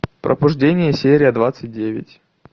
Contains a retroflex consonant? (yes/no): yes